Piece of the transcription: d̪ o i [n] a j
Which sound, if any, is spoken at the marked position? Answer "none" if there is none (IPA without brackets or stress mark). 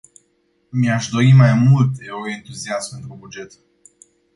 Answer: m